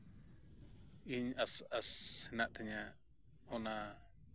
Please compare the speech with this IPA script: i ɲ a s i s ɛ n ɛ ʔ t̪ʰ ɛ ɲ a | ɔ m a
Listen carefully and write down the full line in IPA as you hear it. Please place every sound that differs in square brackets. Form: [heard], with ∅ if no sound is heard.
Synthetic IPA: i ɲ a s [a] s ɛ n [a] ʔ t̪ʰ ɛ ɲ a | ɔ [n] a